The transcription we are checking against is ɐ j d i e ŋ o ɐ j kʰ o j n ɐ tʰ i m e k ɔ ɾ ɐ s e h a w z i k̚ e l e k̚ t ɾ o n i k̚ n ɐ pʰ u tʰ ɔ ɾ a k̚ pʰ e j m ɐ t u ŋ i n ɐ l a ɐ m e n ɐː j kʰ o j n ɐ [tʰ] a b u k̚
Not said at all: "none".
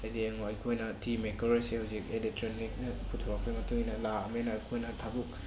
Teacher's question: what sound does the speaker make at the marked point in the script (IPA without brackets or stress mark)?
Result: tʰ